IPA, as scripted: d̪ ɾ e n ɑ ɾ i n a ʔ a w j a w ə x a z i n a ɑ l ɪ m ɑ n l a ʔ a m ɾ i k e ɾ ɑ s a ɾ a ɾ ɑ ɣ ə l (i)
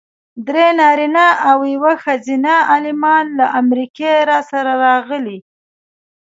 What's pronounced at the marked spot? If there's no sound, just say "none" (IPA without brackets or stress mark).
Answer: i